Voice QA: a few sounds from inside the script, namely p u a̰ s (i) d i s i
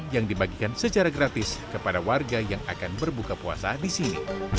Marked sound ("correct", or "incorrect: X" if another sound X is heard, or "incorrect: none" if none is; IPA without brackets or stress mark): incorrect: a